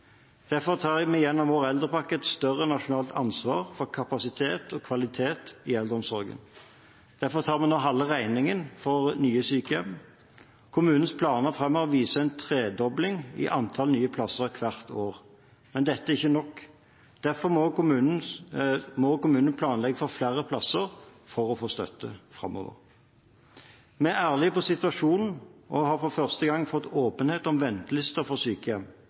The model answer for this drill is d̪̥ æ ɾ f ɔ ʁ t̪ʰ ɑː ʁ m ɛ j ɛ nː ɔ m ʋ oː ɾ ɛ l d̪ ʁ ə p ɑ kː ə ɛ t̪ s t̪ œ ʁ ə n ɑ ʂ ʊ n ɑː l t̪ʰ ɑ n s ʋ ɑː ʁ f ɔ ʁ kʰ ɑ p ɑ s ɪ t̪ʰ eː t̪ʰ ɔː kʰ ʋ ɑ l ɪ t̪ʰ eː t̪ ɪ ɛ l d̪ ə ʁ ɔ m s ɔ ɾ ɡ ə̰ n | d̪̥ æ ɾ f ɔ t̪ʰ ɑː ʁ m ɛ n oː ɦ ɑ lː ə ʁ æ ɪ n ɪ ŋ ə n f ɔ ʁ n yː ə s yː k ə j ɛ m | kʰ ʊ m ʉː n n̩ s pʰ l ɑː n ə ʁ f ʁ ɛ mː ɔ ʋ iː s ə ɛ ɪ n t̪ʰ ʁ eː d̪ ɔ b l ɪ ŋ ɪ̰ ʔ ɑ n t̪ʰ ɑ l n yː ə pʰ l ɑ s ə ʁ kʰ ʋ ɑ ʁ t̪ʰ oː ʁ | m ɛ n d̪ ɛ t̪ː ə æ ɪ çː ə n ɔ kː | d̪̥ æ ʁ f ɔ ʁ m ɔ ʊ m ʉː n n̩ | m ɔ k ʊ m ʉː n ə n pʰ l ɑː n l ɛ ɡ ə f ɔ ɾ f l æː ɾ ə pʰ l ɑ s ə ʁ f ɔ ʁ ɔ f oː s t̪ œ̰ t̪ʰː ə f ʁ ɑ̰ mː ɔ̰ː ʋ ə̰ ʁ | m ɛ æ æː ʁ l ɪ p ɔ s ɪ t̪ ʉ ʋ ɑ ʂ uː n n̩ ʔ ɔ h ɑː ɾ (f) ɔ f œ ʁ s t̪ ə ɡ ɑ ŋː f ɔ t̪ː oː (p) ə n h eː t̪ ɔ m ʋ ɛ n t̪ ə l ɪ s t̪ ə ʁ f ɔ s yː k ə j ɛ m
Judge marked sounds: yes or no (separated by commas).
yes, yes